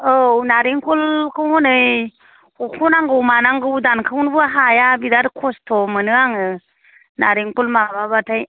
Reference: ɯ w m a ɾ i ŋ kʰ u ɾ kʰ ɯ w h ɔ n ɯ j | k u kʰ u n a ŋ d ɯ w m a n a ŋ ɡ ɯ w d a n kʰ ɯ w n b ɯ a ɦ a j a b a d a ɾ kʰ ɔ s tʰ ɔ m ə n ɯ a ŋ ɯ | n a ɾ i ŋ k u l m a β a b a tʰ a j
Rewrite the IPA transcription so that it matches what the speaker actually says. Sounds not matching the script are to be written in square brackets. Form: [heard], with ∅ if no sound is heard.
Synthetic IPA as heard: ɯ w [n] a ɾ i ŋ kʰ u [l] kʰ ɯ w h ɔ n ɯ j | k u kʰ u n a ŋ [ɡ] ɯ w m a n a ŋ ɡ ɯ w d a n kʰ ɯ w n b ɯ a ɦ a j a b [i] d a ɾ kʰ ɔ s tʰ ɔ m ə n ɯ a ŋ ɯ | n a ɾ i ŋ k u l m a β a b a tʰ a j